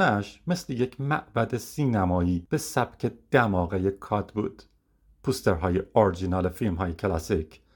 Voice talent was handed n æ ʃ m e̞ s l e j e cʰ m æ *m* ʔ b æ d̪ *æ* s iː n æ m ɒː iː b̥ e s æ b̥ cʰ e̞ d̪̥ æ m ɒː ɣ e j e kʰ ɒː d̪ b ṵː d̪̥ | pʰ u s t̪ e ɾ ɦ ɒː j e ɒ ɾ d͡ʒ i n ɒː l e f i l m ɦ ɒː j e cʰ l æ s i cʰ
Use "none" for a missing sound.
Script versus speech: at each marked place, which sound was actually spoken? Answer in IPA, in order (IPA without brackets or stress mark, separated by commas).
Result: none, e